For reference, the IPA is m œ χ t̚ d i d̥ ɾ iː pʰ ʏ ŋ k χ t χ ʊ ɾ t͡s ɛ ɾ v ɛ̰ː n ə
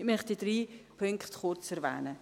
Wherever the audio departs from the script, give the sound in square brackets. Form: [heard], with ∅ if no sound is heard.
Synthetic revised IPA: m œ χ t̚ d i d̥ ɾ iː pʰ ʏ ŋ k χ t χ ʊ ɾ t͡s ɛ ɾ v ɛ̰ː n ə

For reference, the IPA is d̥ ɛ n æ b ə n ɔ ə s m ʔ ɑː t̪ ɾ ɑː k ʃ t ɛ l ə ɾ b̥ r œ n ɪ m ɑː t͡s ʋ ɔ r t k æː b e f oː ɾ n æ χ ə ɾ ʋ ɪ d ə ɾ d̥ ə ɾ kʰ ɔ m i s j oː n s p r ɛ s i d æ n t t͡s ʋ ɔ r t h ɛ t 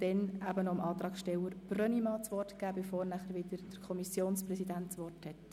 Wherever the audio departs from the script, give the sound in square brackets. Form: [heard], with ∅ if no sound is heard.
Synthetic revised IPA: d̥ ɛ n æ b ə n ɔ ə [∅] m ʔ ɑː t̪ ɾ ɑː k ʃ t ɛ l ə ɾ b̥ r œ n [i] m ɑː t͡s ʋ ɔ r t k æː b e f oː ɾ n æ χ ə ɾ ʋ ɪ d ə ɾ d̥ ə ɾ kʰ ɔ m i s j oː n s p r ɛ s i d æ n t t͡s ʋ ɔ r t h ɛ t

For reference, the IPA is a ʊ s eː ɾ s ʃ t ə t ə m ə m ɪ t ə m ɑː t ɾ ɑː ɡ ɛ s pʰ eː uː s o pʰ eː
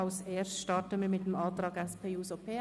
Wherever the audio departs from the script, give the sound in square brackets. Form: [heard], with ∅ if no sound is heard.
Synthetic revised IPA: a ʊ s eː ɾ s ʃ t [ɑ] t ə m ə m ɪ t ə m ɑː t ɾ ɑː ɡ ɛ s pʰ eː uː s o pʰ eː

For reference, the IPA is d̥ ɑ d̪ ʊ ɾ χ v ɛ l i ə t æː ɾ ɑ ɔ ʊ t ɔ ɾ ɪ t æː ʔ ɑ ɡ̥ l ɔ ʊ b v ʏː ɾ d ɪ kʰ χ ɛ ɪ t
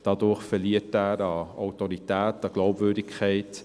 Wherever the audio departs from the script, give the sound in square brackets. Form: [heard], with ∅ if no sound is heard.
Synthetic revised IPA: d̥ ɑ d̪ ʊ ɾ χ [f] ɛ l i ə t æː ɾ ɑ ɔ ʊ t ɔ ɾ [i] t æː [t] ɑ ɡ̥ l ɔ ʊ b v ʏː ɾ d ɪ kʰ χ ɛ ɪ t

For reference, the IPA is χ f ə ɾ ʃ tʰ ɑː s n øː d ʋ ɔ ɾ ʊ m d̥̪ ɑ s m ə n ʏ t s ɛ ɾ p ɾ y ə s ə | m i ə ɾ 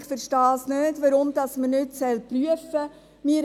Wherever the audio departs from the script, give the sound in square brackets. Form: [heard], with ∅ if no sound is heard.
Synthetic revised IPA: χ f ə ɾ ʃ [t] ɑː s n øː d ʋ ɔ ɾ ʊ m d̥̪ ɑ s m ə n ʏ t s ɛ [l] p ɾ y ə [f] ə | m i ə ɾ

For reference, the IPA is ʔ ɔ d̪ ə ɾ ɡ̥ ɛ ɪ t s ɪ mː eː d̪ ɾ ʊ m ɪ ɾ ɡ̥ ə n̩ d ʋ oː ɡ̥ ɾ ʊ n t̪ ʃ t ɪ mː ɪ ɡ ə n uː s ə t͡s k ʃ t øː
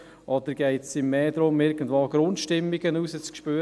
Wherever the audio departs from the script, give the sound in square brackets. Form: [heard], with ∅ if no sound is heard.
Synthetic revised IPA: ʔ ɔ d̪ ə ɾ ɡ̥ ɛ ɪ t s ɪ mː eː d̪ ɾ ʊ m ɪ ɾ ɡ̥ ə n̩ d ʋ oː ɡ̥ ɾ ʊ n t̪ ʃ t ɪ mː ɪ ɡ ə n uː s ə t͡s k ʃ [p] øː

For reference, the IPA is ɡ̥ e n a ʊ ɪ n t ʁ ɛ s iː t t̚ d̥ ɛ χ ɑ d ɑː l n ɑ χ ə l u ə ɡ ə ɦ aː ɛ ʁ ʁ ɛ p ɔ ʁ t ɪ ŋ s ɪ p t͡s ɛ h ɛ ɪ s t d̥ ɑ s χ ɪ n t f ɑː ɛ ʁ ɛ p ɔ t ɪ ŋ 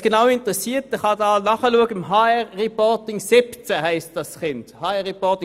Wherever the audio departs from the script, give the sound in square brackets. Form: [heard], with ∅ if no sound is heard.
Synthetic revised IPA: ɡ̥ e n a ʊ ɪ n t ʁ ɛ s iː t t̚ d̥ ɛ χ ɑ d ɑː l n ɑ χ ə l u ə ɡ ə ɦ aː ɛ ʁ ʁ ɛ p ɔ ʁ t ɪ ŋ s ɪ p t͡s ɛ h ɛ ɪ s t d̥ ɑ s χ ɪ n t [h] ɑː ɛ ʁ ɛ p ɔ t ɪ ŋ

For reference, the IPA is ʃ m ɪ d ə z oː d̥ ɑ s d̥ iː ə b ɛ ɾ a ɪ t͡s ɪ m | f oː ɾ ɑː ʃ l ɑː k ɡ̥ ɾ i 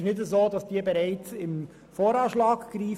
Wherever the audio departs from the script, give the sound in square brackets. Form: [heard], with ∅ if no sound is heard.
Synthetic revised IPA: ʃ [n] ɪ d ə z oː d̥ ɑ s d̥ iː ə b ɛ ɾ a ɪ t͡s ɪ m | f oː ɾ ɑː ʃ l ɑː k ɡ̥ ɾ [iː]

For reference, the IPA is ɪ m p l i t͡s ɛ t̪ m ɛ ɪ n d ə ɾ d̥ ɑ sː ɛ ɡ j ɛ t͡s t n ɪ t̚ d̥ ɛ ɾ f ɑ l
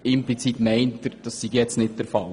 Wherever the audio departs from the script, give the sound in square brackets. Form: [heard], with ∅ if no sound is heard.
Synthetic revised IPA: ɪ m p l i t͡s [i] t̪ m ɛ ɪ n [t] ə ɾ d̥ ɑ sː [i] ɡ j ɛ t͡s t n ɪ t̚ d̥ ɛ ɾ f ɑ l

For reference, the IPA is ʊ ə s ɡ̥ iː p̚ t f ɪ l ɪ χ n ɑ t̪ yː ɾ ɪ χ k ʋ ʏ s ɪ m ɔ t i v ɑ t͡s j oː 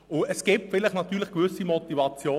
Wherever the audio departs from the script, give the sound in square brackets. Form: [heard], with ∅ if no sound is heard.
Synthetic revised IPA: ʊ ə s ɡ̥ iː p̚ t f ɪ l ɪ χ n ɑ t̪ yː [l] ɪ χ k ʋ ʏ s [i] m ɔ t i v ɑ t͡s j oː

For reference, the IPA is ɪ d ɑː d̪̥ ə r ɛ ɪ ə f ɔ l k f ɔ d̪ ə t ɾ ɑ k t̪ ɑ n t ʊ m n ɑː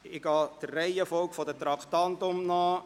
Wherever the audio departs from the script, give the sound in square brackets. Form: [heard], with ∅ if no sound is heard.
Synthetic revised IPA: ɪ [ɡ] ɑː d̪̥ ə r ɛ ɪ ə f ɔ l k f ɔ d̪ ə t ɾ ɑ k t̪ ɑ n t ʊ m n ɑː

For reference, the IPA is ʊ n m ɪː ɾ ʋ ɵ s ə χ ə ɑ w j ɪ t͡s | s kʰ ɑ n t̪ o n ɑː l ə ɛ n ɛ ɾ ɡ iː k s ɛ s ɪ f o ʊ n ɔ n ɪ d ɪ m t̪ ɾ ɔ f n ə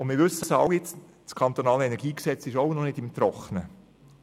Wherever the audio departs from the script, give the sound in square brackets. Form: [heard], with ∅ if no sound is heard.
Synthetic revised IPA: ʊ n m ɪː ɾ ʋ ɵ s ə [s] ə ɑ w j ɪ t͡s | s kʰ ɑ n t̪ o n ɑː l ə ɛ n ɛ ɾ ɡ iː k s ɛ [t͡s] ɪ [ʃ] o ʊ n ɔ n ɪ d ɪ m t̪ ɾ ɔ [χ] n ə

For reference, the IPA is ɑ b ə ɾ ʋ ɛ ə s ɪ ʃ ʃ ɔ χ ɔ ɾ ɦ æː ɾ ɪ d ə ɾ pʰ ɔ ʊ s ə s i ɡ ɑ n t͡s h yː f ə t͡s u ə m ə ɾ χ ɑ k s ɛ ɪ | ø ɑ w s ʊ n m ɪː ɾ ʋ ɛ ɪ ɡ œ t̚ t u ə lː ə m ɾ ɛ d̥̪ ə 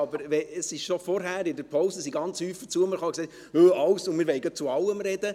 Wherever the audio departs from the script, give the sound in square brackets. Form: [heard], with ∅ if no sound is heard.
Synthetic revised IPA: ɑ b ə ɾ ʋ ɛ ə s ɪ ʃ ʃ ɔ [f] ɔ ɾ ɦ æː ɾ ɪ d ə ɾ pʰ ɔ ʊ s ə s i ɡ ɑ n t͡s h yː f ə t͡s u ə m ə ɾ χ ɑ k s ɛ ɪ | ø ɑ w s ʊ n m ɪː ɾ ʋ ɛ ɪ ɡ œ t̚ [t͡s] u [ɑ] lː ə m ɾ ɛ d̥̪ ə

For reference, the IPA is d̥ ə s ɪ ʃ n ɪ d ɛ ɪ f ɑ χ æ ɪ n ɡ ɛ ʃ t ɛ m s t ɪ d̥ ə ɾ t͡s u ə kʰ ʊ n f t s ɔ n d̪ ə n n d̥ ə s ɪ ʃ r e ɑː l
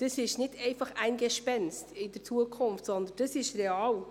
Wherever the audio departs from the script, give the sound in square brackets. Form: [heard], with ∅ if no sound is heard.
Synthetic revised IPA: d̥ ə s ɪ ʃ n ɪ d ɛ ɪ f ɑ χ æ ɪ n ɡ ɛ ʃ [p] ɛ [n] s t ɪ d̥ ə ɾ t͡s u ə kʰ ʊ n f t s ɔ n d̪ ə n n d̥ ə s ɪ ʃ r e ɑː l

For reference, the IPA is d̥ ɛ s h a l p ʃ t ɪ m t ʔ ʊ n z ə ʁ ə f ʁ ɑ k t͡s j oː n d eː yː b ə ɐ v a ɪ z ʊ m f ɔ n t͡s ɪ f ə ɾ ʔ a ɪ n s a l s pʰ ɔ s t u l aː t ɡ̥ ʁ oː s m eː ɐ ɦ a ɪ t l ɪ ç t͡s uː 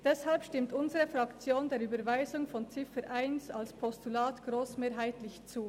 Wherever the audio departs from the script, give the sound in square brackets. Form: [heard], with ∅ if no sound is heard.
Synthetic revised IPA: d̥ ɛ s h a l p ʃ t ɪ m t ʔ ʊ n z ə ʁ ə f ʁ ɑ k t͡s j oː n d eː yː b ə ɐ v a ɪ z ʊ [ŋ] f ɔ n t͡s ɪ f ə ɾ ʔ a ɪ n s a l s pʰ ɔ s t u l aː t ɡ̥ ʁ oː s m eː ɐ ɦ a ɪ t l ɪ ç t͡s uː

